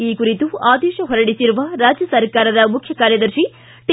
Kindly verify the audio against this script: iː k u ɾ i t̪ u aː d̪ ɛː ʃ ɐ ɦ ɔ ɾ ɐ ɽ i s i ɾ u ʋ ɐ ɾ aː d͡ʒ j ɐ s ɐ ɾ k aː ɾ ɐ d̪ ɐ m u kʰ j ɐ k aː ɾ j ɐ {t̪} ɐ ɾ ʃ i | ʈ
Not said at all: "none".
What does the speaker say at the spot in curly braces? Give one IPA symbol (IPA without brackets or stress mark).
d̪